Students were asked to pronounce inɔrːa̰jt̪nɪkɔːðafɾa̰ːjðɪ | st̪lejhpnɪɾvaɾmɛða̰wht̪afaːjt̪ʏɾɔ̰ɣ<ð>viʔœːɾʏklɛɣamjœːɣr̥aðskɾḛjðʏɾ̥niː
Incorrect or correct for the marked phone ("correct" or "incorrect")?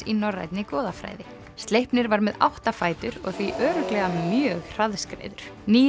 incorrect